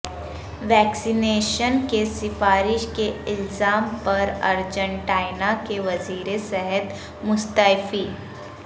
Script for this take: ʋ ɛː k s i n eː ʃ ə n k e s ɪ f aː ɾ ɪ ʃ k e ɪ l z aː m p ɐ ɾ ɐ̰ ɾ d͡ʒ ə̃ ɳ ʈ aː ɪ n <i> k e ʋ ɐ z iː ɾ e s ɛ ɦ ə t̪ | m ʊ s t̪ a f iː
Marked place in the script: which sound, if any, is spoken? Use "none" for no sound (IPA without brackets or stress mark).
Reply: a